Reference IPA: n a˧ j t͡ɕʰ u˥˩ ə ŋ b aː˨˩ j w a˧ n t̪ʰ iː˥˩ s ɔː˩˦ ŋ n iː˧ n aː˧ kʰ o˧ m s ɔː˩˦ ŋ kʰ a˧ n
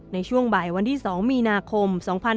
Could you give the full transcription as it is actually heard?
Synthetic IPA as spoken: n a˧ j t͡ɕʰ u˥˩ ə ŋ b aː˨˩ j w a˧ n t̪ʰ iː˥˩ s ɔː˩˦ ŋ m iː˧ n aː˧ kʰ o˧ m s ɔː˩˦ ŋ pʰ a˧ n